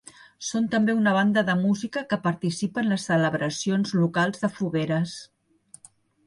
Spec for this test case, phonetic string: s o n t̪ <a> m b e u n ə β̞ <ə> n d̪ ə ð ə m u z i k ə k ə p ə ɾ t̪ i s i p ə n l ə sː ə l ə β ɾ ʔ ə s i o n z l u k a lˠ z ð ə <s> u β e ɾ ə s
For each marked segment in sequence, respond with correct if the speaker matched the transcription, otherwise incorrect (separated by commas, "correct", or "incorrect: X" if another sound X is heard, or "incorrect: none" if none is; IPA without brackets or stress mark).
incorrect: ə, incorrect: a, incorrect: f